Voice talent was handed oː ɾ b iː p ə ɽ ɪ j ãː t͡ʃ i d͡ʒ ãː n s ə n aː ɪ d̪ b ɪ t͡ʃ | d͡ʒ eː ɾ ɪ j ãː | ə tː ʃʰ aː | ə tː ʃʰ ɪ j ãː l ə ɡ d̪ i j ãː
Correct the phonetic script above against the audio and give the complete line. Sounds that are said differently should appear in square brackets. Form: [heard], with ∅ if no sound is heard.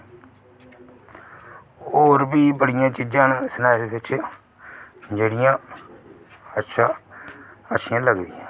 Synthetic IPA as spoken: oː ɾ b iː [b] ə ɽ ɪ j ãː t͡ʃ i d͡ʒ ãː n s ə n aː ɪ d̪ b ɪ t͡ʃ | d͡ʒ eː [ɽ] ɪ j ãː | ə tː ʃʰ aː | ə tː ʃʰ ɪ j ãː l ə ɡ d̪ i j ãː